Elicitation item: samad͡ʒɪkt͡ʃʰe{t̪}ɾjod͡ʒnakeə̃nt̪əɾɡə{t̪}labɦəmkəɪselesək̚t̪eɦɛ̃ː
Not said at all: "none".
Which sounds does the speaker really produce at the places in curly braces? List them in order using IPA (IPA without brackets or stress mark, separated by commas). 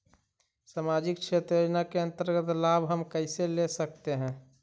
t̪, t̪